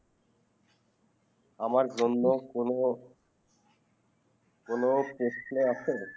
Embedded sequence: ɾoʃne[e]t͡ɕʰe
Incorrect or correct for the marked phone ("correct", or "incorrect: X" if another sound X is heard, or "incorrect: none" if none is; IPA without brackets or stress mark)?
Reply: incorrect: a